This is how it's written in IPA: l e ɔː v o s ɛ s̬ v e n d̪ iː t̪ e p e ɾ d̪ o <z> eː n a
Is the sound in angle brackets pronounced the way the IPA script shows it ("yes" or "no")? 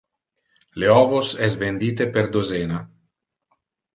yes